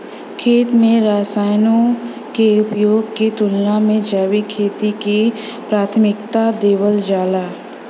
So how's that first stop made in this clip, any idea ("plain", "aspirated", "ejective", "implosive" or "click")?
aspirated